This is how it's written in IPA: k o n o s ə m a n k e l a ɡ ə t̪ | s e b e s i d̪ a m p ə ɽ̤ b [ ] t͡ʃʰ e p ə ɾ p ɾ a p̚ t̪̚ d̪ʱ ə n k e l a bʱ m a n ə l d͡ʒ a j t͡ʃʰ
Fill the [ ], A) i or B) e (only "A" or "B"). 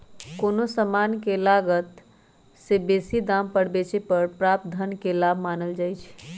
B